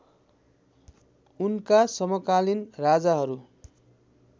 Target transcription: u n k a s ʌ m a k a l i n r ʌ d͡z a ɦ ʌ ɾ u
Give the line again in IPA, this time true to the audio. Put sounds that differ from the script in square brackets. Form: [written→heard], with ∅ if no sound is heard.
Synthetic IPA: u n k a s ʌ m [a→ʌ] k a l i n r [ʌ→a] d͡z a ɦ ʌ ɾ u